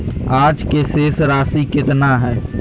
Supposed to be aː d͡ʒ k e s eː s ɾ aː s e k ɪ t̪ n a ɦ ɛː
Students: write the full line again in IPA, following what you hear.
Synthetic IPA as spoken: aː d͡ʒ k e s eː s ɾ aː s i k ɪ t̪ n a ɦ ɛː